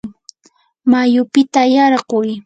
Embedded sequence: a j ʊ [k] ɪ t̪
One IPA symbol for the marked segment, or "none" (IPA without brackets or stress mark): p